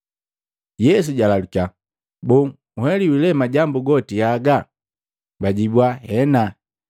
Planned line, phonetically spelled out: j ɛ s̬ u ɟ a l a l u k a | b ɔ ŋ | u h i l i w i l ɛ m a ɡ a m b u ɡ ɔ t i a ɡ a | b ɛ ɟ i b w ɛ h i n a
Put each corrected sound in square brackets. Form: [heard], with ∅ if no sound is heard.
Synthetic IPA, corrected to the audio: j ɛ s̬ u ɟ a l a l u k a | b ɔ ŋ | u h [ɛ] l i w i l ɛ m a [ɟ] a m b u ɡ ɔ t i a ɡ a | b [a] ɟ i b w [a] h [ɛ] n a